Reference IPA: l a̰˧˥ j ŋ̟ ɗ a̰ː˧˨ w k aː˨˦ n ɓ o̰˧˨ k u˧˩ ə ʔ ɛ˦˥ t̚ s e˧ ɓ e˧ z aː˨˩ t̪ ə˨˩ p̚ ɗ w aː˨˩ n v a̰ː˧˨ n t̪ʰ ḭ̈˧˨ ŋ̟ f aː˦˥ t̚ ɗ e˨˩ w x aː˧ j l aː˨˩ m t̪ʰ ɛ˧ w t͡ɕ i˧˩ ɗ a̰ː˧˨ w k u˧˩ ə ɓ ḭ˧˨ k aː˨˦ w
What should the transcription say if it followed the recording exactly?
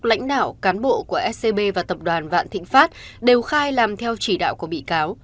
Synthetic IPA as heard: l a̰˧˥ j ŋ̟ ɗ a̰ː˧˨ w k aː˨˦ n ɓ o̰˧˨ k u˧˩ ə ʔ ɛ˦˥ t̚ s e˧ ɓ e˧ v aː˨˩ t̪ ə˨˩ p̚ ɗ w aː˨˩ n v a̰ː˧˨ n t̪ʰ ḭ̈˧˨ ŋ̟ f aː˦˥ t̚ ɗ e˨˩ w x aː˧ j l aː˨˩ m t̪ʰ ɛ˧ w t͡ɕ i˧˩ ɗ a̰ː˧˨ w k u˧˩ ə ɓ ḭ˧˨ k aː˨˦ w